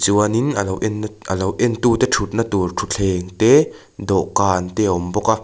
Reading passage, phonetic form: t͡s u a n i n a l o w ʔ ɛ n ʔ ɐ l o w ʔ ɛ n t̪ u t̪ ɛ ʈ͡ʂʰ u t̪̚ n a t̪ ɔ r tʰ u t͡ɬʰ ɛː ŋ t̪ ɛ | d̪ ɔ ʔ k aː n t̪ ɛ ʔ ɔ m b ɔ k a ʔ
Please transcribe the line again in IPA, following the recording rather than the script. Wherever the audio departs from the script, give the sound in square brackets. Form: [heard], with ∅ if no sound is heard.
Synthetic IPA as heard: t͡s u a n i n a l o w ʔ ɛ n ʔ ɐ l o w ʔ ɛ n t̪ u t̪ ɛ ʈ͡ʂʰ u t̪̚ n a t̪ [u] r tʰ u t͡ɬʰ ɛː ŋ t̪ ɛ | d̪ ɔ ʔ k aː n t̪ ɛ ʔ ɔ m b ɔ k a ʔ